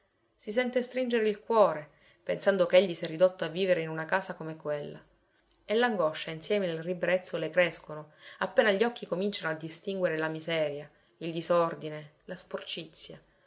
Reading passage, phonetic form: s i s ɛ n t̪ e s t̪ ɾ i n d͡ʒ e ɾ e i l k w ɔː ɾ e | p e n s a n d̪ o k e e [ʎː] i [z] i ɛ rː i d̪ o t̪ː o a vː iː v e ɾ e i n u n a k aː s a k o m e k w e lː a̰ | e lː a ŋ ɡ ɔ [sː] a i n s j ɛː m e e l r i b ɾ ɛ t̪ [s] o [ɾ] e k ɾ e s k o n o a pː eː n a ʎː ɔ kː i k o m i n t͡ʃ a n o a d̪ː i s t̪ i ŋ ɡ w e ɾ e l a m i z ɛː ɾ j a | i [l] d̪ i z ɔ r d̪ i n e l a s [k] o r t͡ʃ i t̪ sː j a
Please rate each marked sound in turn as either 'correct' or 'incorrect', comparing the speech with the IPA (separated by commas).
correct, incorrect, incorrect, incorrect, incorrect, correct, incorrect